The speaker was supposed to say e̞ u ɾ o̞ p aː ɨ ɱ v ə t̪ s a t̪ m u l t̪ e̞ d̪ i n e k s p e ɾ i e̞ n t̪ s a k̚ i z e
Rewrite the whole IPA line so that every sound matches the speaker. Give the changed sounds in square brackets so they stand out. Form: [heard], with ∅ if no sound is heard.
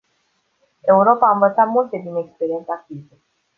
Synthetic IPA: e̞ u ɾ o̞ p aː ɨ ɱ v ə t̪ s a t̪ m u l t̪ e̞ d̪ i n e k s p e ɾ i e̞ n t̪ s a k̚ i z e